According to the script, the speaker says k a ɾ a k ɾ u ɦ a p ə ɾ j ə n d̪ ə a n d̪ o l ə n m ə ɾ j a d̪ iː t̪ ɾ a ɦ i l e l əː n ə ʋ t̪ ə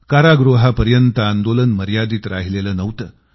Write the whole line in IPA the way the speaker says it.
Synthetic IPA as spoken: k a ɾ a ɡ ɾ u ɦ a p ə ɾ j ə n t̪ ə a n d̪ o l ə n m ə ɾ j a d̪ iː t̪ ɾ a ɦ i l e l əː n ə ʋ t̪ ə